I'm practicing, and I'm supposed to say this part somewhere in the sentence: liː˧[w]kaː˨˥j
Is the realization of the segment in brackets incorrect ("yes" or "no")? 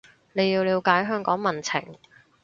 no